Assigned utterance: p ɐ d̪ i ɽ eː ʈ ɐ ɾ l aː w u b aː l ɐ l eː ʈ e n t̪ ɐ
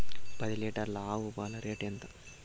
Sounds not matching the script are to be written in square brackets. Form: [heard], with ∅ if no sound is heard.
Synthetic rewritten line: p ɐ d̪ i [l] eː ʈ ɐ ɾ l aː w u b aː l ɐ [ɾ] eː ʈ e n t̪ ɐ